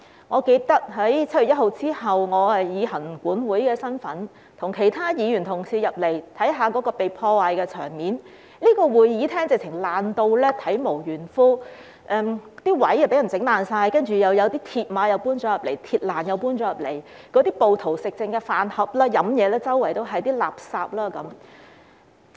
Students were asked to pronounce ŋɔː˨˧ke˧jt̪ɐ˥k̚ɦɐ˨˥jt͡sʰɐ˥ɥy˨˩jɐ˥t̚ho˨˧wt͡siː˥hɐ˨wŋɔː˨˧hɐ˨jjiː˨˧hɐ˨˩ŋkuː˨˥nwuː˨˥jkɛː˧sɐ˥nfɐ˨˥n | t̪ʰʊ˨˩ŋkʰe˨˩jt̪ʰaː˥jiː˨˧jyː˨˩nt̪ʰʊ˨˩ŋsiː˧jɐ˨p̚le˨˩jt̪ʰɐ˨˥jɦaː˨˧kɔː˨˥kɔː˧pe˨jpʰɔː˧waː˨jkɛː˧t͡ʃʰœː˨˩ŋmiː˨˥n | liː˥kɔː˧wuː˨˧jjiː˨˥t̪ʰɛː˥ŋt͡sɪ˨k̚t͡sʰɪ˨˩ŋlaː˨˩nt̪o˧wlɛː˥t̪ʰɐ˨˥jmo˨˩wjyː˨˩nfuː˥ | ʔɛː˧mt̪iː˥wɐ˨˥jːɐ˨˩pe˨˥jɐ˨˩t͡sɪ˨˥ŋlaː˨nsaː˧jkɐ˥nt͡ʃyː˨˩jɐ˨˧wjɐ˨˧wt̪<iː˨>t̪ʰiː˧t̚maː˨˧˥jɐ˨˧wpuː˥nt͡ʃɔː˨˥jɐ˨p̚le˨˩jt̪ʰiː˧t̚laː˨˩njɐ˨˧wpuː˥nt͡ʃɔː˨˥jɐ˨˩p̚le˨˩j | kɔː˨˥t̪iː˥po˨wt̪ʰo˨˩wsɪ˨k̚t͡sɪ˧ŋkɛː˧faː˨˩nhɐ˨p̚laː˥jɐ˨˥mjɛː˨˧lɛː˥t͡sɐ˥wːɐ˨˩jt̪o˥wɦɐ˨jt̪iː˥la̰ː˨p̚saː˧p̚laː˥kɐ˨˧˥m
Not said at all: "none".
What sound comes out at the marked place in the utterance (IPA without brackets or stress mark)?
iː˥